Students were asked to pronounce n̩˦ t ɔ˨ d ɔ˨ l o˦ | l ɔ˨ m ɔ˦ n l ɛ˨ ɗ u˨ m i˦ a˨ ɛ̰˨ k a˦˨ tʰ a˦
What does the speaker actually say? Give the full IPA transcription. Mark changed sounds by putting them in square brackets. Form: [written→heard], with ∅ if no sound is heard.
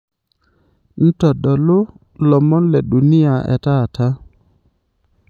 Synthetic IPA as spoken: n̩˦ t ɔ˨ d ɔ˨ l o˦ | l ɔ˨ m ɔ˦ n l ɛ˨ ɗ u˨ [m→n] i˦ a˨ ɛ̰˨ [k→t] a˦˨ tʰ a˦